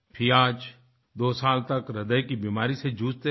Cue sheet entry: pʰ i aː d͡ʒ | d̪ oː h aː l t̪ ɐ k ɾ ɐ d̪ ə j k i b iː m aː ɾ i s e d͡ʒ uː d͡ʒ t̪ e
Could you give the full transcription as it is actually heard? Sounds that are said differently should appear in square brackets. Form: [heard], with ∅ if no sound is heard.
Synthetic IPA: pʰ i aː d͡ʒ | d̪ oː [s] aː l t̪ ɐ k ɾ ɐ d̪ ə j k i b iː m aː ɾ i s e d͡ʒ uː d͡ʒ t̪ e

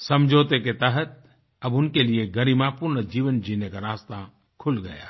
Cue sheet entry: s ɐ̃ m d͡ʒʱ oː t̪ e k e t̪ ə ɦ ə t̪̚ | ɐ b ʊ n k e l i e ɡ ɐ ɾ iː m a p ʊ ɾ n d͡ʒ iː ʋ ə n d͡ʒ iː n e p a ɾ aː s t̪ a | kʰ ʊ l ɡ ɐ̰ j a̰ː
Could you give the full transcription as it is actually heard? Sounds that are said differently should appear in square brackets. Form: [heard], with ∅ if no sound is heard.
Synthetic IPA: s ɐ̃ m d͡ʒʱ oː t̪ e k e t̪ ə ɦ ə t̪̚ | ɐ b ʊ n k e l i e ɡ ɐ ɾ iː m a p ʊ ɾ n d͡ʒ iː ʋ ə n d͡ʒ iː n e [k] a ɾ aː s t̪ a | kʰ ʊ l ɡ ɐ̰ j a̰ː

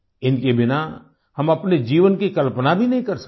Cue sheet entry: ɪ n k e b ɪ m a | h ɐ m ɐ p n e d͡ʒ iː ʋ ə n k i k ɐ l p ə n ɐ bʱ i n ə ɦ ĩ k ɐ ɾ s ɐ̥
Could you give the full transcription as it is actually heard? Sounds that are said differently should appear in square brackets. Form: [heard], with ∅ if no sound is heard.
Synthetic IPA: ɪ n k e b ɪ [n] a | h ɐ m ɐ p n e d͡ʒ iː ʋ ə n k i k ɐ l p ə n [a] bʱ i n [ɐ] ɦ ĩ k ɐ ɾ s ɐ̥

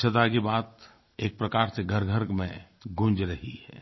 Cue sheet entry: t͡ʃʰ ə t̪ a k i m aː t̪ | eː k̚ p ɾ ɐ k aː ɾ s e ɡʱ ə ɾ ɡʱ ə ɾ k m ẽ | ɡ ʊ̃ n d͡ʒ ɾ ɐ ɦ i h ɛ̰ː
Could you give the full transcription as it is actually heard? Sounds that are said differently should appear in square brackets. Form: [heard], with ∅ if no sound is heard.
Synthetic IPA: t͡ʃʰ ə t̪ a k i [b] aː t̪ | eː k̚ p ɾ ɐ k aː ɾ s e ɡʱ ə ɾ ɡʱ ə ɾ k m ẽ | ɡ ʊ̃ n d͡ʒ ɾ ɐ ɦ i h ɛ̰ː

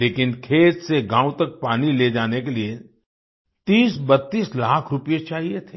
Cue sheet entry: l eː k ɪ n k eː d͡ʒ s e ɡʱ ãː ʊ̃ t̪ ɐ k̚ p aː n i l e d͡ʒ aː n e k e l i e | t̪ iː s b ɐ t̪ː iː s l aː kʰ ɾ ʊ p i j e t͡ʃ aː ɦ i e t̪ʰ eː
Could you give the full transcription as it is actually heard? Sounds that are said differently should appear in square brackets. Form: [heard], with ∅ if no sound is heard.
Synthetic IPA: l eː k ɪ n [kʰ] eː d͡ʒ s e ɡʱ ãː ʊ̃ t̪ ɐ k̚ p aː n i l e d͡ʒ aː n e k e l i e | t̪ iː s b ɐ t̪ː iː s l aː kʰ ɾ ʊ p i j e t͡ʃ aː ɦ i e t̪ʰ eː

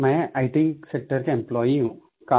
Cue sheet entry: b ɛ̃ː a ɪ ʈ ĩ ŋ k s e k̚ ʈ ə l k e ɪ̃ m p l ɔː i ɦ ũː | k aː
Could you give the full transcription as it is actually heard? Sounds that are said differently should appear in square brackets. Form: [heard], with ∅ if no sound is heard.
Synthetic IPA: [m] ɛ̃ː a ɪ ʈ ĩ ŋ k s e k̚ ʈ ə [ɾ] k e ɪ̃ m p l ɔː i ɦ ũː | k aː

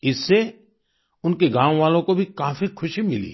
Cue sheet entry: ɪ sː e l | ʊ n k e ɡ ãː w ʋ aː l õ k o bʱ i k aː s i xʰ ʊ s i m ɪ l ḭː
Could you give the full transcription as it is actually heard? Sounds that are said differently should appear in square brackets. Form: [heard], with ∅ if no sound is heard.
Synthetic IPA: ɪ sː e [∅] | ʊ n k e ɡ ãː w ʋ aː l õ k o bʱ i k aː [f] i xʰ ʊ [ʃ] i m ɪ l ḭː

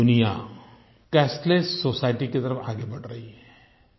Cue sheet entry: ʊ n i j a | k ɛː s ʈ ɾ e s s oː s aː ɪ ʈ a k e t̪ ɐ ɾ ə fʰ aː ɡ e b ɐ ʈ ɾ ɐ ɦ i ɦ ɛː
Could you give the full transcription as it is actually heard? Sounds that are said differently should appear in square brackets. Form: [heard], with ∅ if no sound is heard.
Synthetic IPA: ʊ n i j a | k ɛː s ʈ [l] e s s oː s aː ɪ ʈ [i] k e t̪ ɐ ɾ ə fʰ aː ɡ e b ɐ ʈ ɾ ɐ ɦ i ɦ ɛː

